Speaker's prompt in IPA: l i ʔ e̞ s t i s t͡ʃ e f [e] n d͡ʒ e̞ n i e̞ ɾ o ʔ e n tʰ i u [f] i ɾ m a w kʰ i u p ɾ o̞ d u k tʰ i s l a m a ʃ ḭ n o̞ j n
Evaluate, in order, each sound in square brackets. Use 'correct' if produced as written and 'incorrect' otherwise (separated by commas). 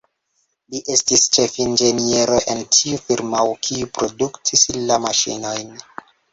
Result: incorrect, correct